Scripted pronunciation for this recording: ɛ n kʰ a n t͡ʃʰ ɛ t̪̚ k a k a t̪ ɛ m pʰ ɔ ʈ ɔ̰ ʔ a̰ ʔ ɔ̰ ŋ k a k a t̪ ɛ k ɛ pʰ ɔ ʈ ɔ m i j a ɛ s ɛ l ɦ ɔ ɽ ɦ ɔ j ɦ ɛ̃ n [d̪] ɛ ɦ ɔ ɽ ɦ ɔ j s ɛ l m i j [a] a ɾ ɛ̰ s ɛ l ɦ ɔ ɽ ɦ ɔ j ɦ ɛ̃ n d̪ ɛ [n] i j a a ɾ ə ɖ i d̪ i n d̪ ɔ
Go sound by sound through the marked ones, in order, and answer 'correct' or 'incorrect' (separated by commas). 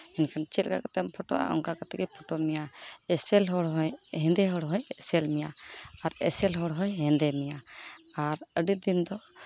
correct, correct, incorrect